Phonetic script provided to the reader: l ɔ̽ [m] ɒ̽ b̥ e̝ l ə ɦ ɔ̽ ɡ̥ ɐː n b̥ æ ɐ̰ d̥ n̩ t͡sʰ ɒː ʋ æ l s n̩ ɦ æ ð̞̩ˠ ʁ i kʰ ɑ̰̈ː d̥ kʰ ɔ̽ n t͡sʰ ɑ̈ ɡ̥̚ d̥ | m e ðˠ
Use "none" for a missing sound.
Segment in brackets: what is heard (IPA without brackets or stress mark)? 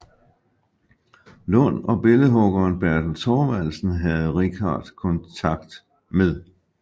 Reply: n